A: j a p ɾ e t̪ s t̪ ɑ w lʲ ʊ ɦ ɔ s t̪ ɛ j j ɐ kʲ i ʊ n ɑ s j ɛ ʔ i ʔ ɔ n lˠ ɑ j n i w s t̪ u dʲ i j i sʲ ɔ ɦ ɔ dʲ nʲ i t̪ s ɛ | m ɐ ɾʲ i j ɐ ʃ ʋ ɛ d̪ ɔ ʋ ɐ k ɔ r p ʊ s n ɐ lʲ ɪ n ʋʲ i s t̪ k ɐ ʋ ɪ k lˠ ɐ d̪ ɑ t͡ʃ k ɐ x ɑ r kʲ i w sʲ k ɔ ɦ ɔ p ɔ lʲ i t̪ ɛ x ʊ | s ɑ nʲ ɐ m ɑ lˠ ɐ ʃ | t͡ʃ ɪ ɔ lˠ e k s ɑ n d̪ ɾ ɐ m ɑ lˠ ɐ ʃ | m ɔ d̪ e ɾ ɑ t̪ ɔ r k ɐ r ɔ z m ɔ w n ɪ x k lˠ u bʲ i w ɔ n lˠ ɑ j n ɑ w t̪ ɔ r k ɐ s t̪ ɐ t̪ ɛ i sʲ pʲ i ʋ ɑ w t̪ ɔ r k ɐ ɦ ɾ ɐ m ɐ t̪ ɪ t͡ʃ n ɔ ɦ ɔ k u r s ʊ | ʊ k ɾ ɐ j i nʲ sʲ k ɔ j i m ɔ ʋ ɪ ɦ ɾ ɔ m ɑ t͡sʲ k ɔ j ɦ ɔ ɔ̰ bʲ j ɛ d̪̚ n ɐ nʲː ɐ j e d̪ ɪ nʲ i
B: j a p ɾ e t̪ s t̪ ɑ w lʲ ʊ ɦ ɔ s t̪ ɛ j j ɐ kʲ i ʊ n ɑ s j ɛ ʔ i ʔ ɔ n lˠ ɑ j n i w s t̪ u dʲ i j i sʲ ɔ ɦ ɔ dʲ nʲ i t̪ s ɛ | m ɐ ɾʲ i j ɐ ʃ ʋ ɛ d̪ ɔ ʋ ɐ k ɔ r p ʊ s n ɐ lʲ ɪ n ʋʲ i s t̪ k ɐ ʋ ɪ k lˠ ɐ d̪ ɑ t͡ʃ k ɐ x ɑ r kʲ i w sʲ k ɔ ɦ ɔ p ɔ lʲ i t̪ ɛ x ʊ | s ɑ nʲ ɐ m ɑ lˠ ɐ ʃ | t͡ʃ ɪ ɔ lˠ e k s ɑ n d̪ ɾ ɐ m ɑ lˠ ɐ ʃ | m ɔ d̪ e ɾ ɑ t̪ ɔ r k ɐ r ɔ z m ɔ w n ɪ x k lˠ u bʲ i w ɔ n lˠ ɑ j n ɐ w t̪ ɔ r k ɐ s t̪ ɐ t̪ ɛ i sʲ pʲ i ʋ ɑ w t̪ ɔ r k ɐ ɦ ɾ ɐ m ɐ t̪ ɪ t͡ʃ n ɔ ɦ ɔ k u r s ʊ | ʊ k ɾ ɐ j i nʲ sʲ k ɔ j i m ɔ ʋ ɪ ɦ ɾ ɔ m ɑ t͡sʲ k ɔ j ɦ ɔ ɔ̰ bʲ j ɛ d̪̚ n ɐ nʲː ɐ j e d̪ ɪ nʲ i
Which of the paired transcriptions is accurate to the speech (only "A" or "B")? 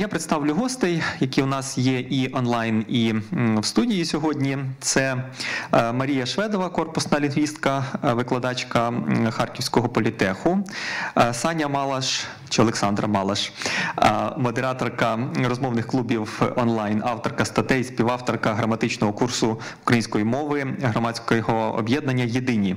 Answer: A